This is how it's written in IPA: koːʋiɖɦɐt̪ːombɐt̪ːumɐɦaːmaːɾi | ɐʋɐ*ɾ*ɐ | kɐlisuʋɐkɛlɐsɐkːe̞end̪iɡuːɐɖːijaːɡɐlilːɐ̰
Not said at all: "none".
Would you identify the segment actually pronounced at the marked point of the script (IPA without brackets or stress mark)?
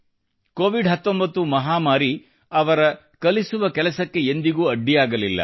ɾ